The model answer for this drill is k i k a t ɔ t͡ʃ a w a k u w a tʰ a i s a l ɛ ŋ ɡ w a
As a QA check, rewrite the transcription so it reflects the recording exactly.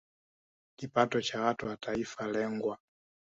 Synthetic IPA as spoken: k i p a t ɔ t͡ʃ a w a t u w a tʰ a i f a l ɛ ŋ ɡ w a